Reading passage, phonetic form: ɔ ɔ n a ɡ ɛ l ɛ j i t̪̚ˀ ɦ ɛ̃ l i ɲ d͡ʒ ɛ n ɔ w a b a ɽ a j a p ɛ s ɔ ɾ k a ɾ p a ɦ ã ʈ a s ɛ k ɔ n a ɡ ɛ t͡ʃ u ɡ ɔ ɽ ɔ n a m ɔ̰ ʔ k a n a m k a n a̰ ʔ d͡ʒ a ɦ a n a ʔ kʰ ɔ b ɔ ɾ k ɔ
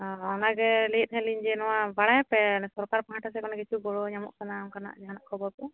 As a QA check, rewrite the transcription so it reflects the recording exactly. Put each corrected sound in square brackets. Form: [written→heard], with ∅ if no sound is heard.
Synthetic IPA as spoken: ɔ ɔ n a ɡ ɛ l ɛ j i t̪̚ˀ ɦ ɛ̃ l i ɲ d͡ʒ ɛ n ɔ w a b a ɽ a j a p ɛ s ɔ ɾ k a ɾ p a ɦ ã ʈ a s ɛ k ɔ n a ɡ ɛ t͡ʃ u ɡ ɔ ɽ ɔ [n→ɲ] a m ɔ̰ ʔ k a n a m k a n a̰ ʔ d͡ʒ a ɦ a n a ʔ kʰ ɔ b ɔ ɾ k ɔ